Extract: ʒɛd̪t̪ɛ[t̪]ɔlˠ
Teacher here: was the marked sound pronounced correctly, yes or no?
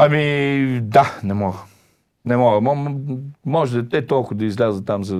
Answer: yes